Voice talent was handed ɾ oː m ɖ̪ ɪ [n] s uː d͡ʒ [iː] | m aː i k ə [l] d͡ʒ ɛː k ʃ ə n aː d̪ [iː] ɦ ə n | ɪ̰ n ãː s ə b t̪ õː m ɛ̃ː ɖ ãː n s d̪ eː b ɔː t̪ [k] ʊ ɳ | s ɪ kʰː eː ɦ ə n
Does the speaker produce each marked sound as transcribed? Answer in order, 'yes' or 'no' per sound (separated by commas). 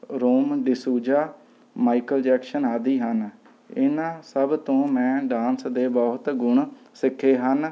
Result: no, no, yes, yes, no